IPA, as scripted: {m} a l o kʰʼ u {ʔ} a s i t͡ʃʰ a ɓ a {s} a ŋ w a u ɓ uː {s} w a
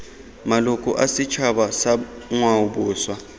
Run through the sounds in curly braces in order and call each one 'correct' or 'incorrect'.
correct, correct, correct, correct

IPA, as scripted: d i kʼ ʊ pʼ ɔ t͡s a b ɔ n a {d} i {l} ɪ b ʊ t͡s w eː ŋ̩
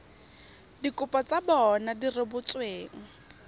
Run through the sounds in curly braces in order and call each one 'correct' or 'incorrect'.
correct, incorrect: r

